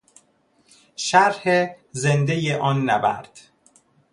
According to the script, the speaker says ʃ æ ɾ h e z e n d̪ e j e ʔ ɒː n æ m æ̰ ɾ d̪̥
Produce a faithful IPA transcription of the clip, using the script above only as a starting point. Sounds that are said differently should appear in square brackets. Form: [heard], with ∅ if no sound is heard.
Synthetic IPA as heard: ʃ æ ɾ h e z e n d̪ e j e ʔ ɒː [nː] æ [b] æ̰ ɾ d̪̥